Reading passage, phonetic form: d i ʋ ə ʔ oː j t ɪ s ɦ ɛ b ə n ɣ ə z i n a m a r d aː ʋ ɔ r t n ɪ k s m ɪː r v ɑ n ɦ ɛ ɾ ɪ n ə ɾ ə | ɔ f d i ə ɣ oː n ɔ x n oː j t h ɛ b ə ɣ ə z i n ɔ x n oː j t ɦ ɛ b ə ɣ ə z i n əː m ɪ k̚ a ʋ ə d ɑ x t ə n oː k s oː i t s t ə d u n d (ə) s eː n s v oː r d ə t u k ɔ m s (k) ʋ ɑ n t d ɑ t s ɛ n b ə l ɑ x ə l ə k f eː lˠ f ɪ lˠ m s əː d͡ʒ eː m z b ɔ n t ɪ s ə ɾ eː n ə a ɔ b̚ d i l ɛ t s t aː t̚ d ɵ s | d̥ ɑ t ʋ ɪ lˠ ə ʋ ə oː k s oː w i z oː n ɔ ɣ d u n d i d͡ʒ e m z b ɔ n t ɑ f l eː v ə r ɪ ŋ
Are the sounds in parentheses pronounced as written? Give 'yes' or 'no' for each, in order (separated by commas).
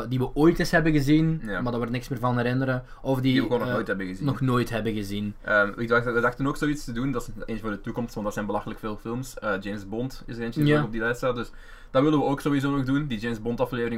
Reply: no, no